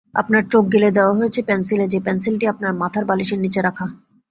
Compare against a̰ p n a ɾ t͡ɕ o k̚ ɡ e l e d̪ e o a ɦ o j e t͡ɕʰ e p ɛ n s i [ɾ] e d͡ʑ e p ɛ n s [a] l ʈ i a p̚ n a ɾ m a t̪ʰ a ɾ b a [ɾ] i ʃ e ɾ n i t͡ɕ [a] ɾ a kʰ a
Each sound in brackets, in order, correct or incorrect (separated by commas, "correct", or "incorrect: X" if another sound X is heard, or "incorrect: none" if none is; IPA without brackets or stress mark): incorrect: l, incorrect: i, incorrect: l, incorrect: e